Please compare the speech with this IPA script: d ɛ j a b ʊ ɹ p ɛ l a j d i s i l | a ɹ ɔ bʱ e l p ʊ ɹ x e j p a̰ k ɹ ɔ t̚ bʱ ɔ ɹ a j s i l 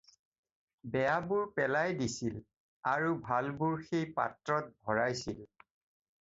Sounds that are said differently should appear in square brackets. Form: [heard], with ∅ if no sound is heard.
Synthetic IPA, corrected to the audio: [b] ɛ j a b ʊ ɹ p ɛ l a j d i s i l | a ɹ [u] bʱ [a] l [b] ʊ ɹ x e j p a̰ [t] ɹ ɔ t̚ bʱ ɔ ɹ a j s i l

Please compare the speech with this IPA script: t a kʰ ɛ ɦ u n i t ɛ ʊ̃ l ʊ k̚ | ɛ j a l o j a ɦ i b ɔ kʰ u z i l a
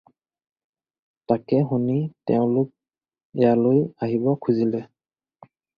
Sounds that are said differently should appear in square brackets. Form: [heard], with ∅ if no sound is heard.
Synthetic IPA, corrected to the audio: t a [k] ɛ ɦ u n i t ɛ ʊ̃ l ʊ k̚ | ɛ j a l o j a ɦ i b ɔ kʰ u z i l [ɛ]

